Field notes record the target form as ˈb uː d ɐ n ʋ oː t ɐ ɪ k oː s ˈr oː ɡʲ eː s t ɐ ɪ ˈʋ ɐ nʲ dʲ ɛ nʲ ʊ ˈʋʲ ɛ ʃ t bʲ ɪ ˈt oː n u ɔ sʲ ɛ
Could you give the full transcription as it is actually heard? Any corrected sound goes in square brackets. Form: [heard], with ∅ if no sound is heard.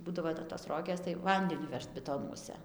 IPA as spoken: ˈb uː d ɐ [∅] ʋ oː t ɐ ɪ [t] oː s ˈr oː ɡʲ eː s t ɐ ɪ ˈʋ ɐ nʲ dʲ ɛ nʲ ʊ ˈʋʲ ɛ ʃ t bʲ ɪ ˈt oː n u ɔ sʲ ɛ